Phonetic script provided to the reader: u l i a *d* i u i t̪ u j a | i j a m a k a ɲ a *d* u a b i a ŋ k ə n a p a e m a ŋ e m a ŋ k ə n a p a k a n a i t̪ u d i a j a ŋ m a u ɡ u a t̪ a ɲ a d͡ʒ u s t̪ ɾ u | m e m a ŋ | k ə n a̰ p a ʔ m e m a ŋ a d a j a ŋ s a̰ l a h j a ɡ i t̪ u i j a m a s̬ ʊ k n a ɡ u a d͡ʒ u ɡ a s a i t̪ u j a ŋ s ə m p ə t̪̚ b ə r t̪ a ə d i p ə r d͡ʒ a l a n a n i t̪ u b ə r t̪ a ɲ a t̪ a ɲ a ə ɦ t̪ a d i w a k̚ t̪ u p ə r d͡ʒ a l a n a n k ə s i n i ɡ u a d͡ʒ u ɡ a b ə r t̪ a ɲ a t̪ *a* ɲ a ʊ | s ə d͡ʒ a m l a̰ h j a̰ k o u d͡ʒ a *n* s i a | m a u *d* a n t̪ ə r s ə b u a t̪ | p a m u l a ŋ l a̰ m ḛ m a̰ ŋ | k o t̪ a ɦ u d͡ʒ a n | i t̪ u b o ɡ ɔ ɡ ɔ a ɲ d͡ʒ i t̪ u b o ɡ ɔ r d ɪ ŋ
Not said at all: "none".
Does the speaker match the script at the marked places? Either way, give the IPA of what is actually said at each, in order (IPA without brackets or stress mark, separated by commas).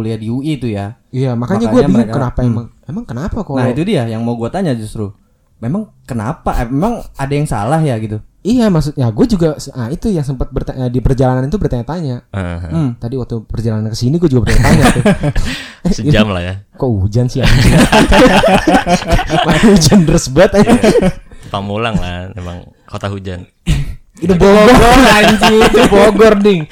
d, ɡ, a, n, d͡ʒ